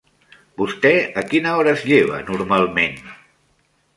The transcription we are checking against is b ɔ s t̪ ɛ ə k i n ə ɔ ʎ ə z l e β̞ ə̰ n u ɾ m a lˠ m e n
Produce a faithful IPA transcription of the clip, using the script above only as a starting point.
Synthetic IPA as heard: b u s t̪ ɛ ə k i n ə ɔ ɾ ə z ʎ e β̞ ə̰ n u ɾ m a lˠ m e n